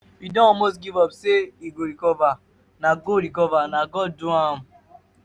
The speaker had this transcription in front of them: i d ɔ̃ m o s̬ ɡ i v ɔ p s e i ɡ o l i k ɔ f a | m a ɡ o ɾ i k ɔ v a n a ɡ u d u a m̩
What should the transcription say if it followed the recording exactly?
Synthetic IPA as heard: i d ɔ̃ m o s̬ ɡ i v ɔ p s e i ɡ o ɾ i k ɔ v a | n a ɡ o ɾ i k ɔ v a n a ɡ ɔ d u a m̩